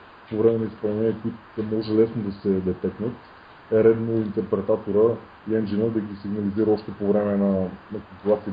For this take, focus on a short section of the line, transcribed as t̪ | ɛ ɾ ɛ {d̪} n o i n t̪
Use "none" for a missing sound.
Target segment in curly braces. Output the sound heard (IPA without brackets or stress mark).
d̪